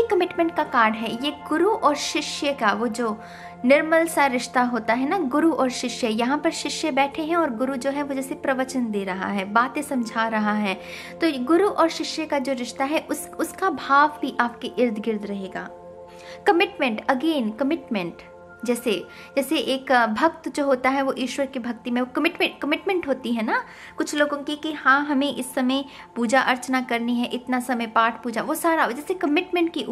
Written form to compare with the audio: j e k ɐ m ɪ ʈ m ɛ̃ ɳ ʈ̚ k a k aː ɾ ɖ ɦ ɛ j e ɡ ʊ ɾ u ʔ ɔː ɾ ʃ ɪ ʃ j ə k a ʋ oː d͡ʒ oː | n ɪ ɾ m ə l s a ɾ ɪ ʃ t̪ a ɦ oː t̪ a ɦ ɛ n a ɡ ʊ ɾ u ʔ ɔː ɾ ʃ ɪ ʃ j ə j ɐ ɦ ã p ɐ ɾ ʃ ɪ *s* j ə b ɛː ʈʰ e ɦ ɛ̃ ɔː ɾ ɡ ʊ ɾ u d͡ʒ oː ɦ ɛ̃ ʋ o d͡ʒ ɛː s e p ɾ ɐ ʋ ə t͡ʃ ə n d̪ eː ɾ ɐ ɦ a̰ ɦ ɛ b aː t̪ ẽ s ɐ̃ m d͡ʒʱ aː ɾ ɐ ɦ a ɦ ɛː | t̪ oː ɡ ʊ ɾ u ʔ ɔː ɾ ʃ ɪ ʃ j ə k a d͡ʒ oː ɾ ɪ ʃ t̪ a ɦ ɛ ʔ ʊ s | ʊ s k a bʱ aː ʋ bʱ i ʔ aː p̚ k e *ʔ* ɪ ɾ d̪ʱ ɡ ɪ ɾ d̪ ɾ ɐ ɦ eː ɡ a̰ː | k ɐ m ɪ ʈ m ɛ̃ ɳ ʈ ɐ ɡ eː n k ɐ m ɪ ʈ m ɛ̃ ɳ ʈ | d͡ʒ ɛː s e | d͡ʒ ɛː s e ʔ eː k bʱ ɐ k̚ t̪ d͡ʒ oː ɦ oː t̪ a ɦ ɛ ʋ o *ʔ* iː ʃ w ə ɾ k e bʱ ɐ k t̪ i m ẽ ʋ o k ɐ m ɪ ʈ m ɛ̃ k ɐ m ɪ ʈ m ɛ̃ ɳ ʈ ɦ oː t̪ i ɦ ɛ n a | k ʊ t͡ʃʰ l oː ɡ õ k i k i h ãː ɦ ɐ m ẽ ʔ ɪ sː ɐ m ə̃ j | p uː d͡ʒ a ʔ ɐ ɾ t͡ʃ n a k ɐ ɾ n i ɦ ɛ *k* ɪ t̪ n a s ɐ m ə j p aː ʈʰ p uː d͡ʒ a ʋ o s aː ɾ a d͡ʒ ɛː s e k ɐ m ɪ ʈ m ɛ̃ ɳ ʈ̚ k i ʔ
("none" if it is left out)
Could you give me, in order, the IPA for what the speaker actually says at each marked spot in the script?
ʃ, ʔ, ʔ, ʔ

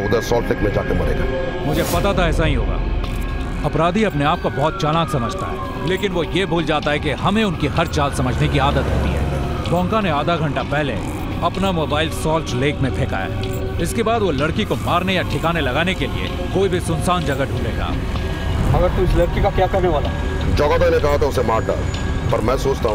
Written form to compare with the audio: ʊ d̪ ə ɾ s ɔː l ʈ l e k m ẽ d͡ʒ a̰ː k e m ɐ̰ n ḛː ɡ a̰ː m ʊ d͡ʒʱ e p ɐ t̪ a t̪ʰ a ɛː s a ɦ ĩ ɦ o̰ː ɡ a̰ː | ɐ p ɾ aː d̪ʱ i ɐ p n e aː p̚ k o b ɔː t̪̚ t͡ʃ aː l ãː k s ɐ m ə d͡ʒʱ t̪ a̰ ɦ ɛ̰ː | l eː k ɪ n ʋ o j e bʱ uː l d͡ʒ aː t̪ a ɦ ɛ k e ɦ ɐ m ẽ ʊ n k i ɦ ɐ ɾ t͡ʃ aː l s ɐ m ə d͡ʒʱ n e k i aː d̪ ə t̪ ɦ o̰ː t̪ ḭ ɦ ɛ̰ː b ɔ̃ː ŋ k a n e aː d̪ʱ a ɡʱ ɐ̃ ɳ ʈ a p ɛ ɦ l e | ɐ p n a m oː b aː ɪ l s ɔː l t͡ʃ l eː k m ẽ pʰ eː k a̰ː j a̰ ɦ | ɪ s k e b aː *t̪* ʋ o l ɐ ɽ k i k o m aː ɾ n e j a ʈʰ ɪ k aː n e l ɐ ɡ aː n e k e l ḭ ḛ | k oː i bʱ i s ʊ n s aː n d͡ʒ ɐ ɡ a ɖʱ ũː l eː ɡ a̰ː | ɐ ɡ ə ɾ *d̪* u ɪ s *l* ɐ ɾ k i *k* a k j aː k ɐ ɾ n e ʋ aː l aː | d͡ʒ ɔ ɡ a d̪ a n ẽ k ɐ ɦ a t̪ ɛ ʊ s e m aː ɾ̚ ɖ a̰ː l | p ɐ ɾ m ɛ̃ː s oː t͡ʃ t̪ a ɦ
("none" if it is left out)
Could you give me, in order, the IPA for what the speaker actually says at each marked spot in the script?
d̪, t̪, l, k

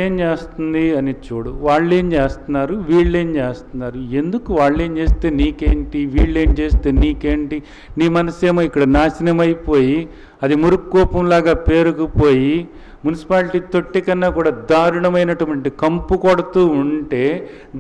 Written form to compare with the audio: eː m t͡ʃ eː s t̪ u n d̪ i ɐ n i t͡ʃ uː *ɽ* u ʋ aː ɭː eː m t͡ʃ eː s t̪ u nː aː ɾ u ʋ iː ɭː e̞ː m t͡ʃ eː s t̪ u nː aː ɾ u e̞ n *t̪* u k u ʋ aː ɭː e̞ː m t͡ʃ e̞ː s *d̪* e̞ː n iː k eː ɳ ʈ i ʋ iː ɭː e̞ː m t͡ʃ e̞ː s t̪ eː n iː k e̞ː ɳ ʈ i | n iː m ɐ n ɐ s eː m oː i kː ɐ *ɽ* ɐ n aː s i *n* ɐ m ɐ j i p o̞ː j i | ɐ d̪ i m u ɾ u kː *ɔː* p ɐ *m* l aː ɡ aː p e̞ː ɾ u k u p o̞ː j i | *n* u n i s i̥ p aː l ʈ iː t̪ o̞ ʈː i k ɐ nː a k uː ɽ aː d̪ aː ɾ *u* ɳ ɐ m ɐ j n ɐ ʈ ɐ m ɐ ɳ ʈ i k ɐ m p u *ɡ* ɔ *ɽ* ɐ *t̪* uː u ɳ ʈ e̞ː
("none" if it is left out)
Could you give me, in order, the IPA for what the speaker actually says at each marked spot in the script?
ɽ, d̪, t̪, ɽ, n, ɔː, m, m, u, k, ɽ, t̪

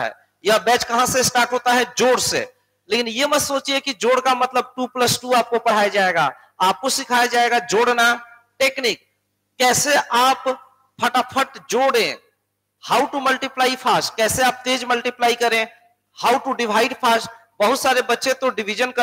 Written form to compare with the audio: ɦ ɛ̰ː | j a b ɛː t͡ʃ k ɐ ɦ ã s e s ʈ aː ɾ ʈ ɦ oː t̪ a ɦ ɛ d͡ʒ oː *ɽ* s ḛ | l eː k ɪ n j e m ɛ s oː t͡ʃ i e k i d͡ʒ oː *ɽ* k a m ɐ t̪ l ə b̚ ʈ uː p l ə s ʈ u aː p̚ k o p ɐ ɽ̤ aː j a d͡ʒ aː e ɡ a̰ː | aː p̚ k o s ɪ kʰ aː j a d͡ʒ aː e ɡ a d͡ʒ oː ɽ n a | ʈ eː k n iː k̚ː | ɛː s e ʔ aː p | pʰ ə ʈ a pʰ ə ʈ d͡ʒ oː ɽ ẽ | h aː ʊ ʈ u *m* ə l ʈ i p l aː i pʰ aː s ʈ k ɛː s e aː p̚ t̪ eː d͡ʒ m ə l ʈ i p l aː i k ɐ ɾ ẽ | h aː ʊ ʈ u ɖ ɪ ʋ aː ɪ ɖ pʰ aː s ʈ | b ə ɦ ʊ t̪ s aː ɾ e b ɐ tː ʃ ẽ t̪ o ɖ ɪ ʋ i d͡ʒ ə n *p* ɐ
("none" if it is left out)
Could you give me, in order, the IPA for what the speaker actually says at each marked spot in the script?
ɽ, ɽ, m, k

